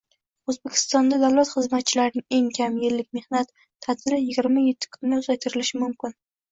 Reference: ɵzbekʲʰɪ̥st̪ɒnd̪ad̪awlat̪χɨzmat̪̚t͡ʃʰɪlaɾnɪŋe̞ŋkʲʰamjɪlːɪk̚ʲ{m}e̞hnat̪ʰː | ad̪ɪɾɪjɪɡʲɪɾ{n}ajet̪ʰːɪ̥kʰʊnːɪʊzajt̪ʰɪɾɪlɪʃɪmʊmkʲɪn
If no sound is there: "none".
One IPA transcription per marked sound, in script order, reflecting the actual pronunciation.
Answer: m, m

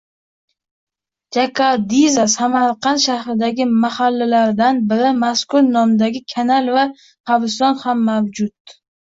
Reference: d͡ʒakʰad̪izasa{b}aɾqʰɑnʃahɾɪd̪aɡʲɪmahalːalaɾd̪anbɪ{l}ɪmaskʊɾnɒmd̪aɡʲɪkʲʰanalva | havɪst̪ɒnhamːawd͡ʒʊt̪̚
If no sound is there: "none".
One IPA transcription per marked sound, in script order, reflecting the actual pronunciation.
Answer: m, ɾ

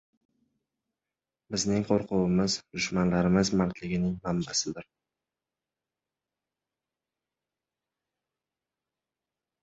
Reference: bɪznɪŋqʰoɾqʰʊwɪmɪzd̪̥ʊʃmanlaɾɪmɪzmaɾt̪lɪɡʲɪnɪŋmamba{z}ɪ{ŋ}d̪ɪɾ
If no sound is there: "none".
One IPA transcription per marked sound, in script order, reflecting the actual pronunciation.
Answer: s, none

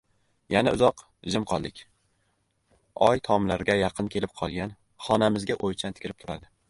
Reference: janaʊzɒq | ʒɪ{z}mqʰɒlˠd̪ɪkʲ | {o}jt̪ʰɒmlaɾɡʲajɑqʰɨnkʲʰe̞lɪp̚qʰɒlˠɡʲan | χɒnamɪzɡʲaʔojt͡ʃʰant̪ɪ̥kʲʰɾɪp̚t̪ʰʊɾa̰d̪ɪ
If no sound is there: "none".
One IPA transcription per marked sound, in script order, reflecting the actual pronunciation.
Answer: none, ɒ

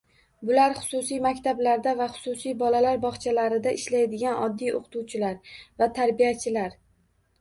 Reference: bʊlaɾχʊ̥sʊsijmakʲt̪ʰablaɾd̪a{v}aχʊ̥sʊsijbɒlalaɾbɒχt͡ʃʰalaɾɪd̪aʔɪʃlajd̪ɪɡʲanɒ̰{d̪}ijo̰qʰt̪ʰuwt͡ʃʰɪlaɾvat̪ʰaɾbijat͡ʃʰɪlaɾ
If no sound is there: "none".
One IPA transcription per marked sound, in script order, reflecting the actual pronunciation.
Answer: v, d̪ː

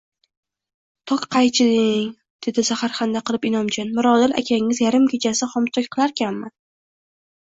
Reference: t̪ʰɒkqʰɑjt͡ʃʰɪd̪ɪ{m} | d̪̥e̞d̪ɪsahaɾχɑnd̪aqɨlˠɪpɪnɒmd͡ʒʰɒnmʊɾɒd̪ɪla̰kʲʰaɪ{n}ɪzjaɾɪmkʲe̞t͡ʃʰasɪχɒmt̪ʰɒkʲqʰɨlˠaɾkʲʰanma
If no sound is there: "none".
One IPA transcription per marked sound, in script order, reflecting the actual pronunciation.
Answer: ŋ, ŋ

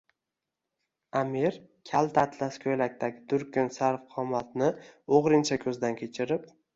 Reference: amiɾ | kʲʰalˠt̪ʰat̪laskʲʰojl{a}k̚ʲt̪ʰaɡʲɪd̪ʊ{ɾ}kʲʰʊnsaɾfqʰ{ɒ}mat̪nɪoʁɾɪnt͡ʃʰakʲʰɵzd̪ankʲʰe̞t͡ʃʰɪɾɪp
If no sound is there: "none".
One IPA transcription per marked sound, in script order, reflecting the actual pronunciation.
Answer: a, ɾ, ɒ

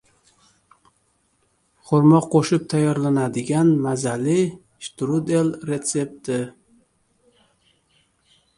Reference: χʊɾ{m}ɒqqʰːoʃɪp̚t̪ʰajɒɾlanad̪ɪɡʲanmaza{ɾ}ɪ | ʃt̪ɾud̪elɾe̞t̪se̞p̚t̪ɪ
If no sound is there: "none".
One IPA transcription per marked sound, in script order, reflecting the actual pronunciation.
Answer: m, l

